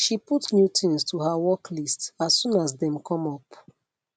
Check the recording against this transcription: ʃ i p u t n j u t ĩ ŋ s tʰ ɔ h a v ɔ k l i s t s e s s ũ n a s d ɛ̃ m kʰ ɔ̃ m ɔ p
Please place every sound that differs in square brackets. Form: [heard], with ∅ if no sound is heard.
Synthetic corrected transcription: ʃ i p u t n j u t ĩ [n] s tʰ [u] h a [w] ɔ k l i s t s [a] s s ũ n a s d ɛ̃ m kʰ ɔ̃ m ɔ p